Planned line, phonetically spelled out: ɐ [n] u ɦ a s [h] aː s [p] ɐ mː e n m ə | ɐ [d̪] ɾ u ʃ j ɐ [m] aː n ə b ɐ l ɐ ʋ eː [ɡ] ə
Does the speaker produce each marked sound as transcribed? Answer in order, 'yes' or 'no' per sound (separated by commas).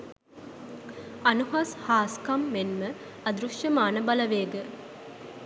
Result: yes, yes, no, yes, yes, yes